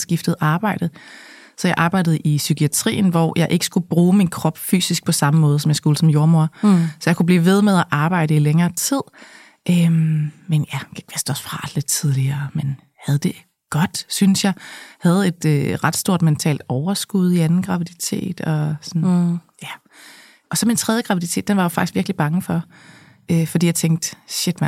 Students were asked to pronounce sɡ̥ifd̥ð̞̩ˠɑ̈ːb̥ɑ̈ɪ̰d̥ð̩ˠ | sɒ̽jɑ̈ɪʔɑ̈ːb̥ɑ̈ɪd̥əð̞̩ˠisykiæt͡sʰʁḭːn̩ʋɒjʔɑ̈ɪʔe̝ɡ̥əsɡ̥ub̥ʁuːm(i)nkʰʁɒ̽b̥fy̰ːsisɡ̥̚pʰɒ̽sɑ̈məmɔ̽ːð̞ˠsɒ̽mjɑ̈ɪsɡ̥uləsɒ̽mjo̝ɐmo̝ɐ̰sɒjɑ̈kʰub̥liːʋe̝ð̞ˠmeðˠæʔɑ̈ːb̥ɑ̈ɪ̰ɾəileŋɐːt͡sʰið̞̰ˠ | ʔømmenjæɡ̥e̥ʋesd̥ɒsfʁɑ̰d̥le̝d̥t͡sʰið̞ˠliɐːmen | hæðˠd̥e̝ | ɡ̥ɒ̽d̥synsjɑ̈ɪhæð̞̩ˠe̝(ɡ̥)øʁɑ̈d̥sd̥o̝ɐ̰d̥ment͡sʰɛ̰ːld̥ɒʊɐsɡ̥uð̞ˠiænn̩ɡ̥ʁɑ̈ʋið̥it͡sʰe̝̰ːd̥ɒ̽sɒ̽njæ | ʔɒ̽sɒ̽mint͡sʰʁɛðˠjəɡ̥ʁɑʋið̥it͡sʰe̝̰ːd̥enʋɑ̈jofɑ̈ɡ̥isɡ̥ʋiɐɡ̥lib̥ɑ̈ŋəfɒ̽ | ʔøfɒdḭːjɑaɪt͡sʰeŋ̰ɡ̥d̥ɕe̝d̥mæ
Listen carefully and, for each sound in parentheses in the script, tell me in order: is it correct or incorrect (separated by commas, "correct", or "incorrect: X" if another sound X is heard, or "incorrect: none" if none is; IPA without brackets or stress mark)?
correct, incorrect: d̥